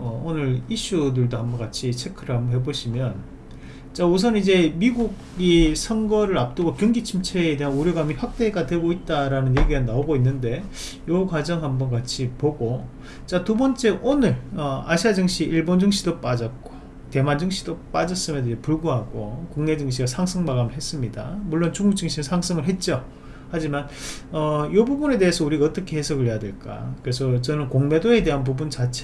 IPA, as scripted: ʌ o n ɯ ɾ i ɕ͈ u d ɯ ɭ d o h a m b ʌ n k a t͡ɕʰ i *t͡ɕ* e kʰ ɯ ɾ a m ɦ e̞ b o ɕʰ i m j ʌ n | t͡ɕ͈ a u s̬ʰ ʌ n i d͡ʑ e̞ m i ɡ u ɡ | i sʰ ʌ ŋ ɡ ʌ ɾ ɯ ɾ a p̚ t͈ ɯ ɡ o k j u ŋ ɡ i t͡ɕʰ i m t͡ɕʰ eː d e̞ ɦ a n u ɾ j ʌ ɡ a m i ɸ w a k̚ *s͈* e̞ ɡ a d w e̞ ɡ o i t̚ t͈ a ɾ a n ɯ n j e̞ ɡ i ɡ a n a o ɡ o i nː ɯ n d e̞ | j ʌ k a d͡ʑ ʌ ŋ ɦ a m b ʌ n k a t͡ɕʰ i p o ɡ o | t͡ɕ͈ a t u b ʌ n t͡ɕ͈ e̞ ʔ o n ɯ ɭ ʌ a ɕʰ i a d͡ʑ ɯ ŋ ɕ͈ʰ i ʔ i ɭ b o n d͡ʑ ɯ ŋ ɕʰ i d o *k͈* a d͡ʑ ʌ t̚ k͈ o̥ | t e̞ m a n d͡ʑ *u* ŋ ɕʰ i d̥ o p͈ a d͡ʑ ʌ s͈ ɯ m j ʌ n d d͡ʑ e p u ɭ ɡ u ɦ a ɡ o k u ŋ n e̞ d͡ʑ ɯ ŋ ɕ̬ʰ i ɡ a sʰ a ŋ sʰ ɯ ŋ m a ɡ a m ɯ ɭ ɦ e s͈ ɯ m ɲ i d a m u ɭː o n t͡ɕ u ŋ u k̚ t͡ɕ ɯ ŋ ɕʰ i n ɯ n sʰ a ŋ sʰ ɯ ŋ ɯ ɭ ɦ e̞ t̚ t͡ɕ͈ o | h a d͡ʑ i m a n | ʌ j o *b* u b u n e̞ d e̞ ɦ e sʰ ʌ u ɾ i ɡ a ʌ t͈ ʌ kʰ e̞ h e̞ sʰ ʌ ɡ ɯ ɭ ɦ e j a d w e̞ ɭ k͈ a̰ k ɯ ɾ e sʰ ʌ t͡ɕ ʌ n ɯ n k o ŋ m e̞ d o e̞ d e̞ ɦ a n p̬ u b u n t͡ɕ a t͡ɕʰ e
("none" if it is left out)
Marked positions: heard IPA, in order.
t͡ɕʰ, t͈, p͈, ɯ, b

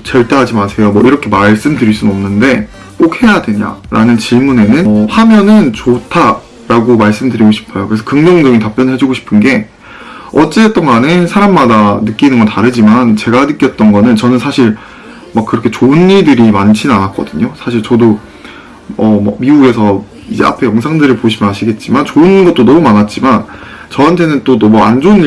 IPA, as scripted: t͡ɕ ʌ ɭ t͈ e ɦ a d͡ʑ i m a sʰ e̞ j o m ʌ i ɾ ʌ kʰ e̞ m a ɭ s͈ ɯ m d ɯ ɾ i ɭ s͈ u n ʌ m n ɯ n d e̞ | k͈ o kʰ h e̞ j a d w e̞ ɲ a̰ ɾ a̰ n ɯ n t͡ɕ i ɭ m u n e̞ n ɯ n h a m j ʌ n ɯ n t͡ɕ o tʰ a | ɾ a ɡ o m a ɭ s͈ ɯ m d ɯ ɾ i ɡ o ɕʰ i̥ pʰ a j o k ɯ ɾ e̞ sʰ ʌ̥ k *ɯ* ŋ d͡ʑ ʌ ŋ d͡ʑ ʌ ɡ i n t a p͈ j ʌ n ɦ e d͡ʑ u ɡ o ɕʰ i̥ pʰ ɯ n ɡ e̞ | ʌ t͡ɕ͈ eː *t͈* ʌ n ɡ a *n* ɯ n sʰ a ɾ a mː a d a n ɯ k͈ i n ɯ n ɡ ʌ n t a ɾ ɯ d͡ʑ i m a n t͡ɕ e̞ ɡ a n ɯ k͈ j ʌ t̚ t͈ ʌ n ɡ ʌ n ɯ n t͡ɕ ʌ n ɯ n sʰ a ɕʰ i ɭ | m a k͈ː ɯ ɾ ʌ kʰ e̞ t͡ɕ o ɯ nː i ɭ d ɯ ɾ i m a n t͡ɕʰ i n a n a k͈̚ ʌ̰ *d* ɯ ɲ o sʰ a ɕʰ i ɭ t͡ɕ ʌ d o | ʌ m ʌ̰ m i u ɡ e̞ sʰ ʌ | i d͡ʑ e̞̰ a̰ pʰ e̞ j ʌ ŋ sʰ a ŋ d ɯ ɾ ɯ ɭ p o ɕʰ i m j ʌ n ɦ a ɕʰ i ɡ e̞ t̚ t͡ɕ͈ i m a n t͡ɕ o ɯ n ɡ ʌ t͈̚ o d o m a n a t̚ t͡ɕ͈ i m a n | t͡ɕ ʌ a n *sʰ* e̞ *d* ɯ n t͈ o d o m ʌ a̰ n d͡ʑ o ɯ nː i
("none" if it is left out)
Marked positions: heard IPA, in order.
ɯ, t͈, n, d, tʰ, n

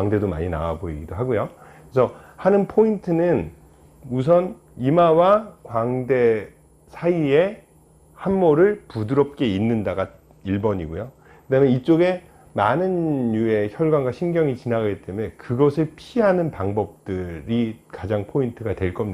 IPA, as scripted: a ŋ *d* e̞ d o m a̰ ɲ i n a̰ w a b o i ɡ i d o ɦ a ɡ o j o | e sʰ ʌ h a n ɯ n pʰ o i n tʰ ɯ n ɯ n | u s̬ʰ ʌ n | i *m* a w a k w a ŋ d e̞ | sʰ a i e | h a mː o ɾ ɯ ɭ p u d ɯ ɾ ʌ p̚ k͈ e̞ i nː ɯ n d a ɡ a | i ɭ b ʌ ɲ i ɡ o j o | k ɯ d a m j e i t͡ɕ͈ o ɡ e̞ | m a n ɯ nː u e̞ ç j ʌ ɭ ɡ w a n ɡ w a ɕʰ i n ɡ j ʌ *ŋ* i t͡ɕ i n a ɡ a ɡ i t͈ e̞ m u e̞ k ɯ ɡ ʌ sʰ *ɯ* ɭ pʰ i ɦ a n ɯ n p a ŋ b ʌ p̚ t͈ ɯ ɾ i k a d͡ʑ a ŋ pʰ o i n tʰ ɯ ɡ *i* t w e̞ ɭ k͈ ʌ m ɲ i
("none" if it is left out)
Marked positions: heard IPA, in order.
d, m, ŋ, ɯ, a

